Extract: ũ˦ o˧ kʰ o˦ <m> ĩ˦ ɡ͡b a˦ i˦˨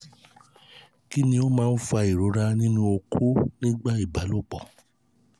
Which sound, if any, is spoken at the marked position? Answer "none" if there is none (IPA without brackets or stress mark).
n